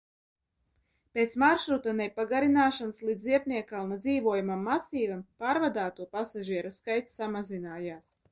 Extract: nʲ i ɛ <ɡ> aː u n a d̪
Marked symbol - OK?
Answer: no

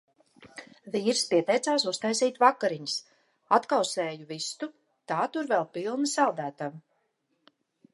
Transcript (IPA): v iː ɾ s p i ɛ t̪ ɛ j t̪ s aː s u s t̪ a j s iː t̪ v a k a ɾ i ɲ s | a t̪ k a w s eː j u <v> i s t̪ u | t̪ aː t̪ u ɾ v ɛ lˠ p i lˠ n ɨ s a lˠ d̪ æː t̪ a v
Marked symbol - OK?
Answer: yes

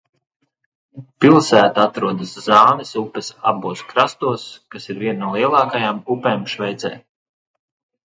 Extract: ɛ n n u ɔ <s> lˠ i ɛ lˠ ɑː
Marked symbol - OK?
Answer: no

